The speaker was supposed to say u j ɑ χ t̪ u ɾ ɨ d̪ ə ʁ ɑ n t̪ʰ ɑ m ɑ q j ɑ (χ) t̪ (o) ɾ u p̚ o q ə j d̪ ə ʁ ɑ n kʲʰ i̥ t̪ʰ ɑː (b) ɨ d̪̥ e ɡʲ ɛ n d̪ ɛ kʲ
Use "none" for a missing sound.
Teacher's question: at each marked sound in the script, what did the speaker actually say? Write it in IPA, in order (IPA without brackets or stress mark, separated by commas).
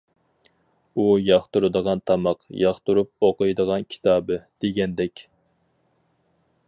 χ, u, b